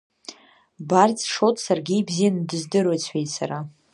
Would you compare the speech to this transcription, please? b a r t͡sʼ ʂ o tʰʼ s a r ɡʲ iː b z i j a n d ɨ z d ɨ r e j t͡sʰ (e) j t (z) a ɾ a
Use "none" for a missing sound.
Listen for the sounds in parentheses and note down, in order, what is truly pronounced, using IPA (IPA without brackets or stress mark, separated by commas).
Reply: e, s